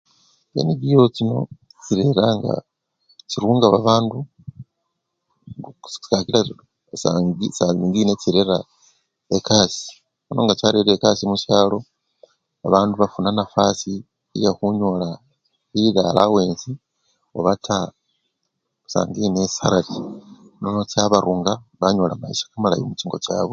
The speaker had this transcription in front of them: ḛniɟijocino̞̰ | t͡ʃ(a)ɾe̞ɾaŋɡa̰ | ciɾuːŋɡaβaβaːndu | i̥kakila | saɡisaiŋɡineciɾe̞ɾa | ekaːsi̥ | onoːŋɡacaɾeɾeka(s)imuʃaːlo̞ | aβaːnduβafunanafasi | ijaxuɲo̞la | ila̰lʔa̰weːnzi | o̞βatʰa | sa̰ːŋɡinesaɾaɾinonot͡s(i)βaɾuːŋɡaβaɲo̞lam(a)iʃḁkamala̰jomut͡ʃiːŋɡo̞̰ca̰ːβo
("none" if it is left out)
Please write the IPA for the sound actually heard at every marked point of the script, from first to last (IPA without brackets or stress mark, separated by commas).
i, s, a, a